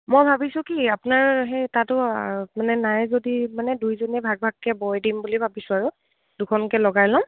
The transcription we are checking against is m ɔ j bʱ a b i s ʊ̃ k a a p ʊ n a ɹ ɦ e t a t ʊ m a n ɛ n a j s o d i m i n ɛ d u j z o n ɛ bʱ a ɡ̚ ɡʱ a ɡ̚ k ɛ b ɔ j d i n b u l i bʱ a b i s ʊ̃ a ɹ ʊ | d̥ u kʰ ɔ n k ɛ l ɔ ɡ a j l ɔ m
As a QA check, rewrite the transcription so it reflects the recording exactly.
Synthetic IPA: m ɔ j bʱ a b i s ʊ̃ k i a p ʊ n a ɹ ɦ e t a t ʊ m a n ɛ n a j z o d i m a n ɛ d u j z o n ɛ bʱ a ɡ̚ bʱ a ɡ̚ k ɛ b ɔ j d i m b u l i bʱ a b i s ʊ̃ a ɹ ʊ | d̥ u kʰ ɔ n k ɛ l ɔ ɡ a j l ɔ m